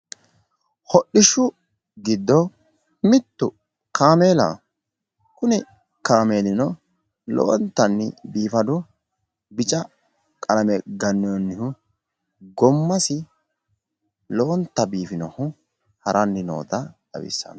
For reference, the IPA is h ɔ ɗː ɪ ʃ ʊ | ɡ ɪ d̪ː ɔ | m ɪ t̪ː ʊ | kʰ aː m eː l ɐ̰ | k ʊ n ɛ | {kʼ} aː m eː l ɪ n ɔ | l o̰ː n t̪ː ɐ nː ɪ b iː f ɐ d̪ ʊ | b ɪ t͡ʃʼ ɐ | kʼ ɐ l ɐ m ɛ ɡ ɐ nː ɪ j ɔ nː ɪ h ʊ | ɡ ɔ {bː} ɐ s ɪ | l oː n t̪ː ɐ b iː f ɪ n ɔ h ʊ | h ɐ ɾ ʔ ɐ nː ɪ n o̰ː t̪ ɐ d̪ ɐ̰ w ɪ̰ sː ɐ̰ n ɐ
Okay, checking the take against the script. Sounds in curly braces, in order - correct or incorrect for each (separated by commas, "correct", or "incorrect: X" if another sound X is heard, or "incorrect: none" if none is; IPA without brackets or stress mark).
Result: incorrect: k, incorrect: mː